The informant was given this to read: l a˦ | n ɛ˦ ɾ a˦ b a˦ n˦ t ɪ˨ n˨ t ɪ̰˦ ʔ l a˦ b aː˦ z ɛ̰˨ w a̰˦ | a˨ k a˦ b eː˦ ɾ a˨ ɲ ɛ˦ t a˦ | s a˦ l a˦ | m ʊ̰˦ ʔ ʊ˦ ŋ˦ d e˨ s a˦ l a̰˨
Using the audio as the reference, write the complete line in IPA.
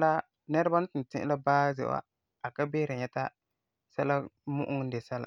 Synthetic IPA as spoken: l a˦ | n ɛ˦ ɾ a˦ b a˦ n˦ t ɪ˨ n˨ t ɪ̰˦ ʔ l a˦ b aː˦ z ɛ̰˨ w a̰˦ | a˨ k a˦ b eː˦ ɾ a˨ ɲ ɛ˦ t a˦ | s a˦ l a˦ | m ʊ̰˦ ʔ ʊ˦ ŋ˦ d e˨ s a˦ l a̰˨